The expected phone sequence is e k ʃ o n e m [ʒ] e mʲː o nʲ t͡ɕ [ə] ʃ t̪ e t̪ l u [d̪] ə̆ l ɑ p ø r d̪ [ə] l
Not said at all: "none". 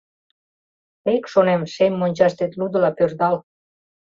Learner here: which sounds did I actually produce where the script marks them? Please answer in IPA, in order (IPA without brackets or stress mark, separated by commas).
ʃ, ɑ, d̪, ɑ